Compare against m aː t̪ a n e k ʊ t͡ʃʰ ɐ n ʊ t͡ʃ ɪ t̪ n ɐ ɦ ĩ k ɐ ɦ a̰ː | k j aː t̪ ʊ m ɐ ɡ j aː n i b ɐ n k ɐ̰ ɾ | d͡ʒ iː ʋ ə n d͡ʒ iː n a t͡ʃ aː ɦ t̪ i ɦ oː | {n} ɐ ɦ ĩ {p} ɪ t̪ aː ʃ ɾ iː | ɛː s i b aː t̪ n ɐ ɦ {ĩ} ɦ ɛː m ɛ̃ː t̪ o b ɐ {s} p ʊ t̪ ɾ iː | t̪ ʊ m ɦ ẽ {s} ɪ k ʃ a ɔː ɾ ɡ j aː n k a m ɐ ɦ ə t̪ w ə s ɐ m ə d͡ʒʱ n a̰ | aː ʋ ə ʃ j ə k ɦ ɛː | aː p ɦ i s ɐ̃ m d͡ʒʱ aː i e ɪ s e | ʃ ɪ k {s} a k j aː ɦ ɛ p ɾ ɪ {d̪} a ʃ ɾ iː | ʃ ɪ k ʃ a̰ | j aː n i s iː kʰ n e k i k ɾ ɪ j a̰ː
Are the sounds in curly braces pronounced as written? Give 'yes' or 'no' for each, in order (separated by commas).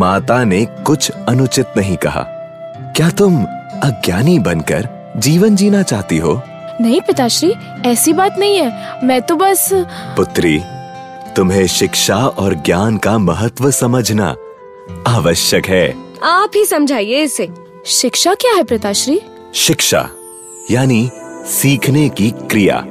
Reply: yes, yes, yes, yes, no, no, no